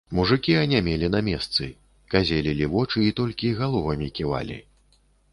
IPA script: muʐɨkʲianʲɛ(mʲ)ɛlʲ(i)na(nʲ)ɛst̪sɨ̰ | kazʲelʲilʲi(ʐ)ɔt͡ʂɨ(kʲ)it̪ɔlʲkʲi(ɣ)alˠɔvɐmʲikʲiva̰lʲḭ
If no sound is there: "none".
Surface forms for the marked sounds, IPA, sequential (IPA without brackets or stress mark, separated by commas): mʲ, i, mʲ, v, none, ɣ